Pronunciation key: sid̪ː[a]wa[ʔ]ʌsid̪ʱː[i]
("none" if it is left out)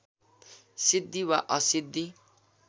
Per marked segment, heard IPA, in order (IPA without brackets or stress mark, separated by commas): i, ʔ, i